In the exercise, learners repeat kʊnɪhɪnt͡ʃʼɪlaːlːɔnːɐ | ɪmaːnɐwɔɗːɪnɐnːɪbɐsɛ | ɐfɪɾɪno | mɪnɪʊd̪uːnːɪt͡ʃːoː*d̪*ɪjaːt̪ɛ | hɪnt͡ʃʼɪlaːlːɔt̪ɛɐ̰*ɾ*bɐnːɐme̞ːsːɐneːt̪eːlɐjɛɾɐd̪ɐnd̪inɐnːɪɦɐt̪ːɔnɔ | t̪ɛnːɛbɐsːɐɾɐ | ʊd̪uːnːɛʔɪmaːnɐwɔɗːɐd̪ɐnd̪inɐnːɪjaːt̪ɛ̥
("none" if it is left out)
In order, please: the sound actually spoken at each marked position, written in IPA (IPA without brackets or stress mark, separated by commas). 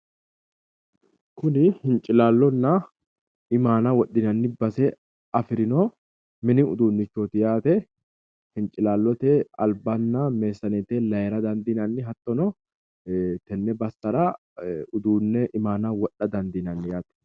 t̪, l